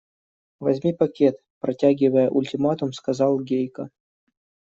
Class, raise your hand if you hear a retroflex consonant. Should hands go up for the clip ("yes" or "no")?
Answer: no